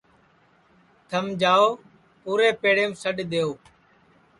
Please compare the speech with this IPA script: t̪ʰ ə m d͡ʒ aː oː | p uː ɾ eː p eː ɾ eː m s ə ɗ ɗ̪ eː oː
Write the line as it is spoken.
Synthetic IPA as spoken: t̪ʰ ə m d͡ʒ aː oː | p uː ɾ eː p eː ɽ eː m s ə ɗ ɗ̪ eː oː